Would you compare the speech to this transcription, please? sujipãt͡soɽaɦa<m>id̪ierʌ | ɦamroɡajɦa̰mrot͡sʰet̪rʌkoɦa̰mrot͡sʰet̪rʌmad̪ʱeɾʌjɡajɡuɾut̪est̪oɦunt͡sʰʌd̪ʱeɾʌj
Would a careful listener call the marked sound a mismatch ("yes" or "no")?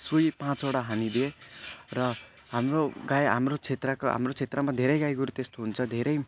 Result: yes